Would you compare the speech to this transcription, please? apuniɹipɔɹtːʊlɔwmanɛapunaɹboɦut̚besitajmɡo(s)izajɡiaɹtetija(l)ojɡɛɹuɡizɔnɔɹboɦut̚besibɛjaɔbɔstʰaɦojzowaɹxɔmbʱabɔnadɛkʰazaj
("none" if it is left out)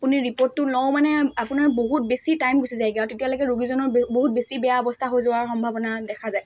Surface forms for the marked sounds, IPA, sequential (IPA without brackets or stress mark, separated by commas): s, l